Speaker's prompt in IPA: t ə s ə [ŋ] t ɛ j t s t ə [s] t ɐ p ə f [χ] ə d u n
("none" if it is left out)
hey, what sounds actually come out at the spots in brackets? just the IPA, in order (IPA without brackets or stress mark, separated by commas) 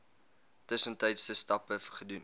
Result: n, s, χ